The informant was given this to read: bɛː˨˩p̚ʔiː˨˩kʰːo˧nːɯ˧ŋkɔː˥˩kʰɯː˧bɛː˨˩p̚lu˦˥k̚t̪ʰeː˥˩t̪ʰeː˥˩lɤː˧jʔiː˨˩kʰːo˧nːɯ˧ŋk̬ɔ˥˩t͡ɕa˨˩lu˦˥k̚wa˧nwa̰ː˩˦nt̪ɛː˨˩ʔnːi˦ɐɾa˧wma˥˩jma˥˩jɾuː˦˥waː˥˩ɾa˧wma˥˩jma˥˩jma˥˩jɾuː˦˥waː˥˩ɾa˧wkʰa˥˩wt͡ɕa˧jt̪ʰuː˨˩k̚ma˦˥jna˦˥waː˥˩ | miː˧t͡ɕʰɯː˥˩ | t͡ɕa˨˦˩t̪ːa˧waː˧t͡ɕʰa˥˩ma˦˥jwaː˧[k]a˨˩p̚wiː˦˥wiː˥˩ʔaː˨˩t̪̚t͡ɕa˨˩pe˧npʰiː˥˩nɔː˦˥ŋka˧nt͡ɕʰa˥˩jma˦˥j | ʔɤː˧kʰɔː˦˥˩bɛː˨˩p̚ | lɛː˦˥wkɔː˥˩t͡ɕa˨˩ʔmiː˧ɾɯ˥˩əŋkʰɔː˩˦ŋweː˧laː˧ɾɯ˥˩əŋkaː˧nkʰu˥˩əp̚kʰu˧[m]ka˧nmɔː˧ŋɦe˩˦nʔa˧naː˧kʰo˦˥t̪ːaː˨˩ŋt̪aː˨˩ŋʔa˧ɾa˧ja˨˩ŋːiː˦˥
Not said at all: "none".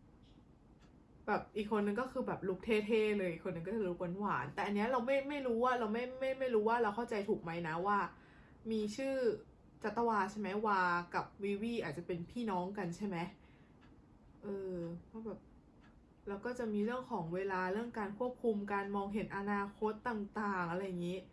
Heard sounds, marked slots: k, m

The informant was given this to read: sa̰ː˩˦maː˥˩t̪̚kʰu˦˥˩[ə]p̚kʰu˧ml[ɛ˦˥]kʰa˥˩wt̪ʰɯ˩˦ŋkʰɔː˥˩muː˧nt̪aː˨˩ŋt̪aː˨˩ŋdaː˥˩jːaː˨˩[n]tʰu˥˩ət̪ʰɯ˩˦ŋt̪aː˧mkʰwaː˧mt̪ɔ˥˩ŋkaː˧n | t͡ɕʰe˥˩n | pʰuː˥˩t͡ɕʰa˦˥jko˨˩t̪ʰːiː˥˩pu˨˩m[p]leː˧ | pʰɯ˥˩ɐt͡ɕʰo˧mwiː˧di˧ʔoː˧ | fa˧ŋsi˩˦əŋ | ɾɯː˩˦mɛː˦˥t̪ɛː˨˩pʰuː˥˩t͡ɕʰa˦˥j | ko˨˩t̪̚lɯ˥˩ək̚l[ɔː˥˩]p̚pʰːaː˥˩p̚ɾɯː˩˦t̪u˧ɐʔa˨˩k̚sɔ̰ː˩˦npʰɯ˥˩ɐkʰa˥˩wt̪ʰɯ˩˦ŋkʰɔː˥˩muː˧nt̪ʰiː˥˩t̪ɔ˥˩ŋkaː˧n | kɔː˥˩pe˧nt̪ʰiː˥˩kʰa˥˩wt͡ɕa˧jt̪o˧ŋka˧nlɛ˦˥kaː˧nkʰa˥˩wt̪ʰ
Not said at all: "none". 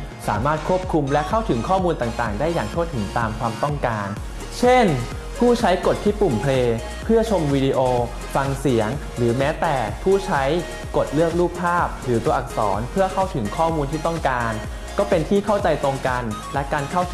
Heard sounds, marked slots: ə, ɛ˦˥, ŋ, pʰ, uː˥˩

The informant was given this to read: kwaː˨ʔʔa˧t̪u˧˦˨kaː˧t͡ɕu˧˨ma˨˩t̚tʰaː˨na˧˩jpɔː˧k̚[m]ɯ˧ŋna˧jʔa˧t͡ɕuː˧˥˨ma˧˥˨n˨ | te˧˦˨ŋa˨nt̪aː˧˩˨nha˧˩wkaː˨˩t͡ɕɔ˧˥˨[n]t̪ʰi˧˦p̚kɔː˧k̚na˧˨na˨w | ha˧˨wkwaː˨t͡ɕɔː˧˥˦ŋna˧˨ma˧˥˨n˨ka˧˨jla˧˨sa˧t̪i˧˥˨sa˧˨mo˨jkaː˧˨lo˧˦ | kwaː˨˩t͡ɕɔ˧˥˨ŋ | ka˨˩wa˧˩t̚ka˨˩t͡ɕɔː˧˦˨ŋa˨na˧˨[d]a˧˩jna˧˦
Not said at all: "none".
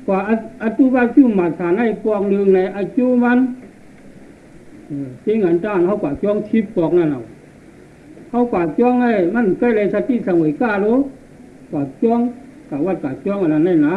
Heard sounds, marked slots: n, ŋ, n

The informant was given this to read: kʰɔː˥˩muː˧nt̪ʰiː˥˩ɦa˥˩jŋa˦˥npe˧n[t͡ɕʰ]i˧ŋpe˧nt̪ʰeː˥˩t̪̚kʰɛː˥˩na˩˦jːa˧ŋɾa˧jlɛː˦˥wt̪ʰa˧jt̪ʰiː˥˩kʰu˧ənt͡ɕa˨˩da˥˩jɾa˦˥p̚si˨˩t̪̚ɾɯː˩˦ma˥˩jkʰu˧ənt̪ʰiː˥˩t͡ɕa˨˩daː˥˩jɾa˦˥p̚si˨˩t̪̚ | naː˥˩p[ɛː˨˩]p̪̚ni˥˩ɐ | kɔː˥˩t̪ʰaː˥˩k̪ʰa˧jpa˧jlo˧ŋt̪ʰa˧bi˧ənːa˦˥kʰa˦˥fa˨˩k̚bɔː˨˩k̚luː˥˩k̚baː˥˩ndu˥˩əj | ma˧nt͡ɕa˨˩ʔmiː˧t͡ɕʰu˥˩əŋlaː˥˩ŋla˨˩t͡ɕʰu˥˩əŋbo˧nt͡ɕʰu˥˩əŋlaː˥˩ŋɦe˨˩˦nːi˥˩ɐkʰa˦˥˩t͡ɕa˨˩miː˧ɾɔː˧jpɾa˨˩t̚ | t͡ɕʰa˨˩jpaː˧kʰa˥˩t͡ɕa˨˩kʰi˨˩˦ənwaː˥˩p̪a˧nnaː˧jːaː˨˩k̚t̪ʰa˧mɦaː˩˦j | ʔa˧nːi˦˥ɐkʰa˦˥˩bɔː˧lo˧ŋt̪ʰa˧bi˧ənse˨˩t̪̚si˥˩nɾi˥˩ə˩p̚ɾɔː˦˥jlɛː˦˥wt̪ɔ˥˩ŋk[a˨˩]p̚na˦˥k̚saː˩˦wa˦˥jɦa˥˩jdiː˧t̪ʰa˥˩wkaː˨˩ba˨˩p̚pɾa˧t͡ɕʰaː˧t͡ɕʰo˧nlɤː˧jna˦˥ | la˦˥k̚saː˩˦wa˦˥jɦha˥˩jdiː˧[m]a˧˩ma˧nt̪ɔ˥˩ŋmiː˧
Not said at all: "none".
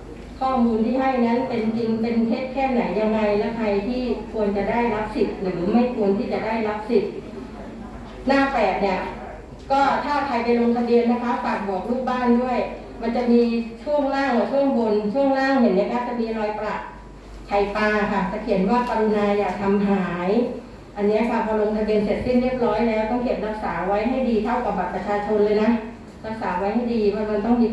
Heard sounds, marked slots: t͡ɕ, ɛː˨˩, e˨˩, m

